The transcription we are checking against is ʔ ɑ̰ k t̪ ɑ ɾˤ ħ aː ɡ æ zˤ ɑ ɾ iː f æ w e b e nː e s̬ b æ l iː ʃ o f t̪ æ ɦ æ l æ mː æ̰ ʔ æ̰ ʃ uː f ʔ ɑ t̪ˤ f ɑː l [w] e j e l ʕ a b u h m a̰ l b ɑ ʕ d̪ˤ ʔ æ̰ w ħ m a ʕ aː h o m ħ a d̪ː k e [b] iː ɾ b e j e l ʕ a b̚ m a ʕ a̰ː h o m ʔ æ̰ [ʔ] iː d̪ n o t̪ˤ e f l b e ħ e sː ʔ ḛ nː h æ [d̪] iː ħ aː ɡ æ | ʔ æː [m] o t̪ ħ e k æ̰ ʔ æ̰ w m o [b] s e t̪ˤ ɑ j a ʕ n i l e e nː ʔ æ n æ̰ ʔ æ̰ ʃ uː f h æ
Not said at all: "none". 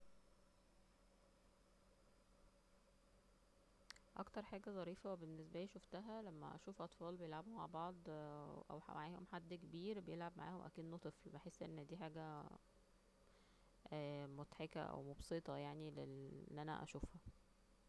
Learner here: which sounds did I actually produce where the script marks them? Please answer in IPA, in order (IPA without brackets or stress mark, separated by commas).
b, b, k, d̪, m, b